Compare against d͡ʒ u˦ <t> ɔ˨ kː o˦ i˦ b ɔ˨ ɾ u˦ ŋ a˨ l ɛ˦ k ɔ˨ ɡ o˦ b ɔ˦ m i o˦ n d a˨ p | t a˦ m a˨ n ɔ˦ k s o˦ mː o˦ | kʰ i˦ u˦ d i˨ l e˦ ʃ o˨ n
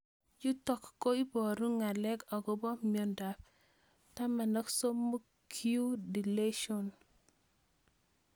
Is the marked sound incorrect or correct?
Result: correct